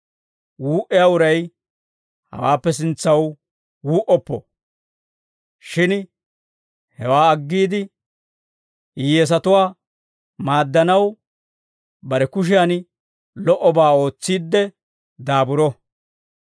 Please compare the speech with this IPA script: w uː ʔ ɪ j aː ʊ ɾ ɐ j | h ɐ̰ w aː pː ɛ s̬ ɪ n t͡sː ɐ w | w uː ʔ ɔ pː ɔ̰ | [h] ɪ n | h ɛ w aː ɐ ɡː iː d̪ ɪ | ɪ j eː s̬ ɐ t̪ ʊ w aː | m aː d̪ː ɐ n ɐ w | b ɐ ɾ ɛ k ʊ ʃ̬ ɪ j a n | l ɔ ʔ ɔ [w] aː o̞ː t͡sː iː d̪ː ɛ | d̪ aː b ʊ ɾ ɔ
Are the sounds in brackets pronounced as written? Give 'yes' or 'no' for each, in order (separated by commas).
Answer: no, no